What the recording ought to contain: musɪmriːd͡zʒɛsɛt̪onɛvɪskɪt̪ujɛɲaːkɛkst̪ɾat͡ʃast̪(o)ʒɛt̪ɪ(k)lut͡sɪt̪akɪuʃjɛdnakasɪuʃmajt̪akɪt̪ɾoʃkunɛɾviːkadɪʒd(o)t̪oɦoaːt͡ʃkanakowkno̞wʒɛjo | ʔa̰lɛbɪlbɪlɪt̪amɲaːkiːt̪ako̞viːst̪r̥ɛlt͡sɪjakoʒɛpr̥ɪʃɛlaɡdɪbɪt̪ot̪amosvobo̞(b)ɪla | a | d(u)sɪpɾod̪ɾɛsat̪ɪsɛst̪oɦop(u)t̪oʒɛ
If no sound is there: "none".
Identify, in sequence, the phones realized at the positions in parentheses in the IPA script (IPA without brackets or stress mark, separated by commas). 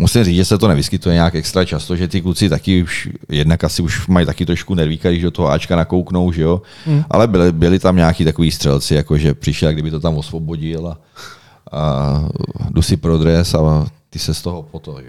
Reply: o, k, o, ɟ, u, o